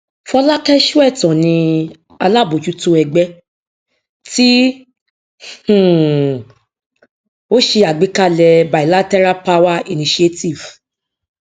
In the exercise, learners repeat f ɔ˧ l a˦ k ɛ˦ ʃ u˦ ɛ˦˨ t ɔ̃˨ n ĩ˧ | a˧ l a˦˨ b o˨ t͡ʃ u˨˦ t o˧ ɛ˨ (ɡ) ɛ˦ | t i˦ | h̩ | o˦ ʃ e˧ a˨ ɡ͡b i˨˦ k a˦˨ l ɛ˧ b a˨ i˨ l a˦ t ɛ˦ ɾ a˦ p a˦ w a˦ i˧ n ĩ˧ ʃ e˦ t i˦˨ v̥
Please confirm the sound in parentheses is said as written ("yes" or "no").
no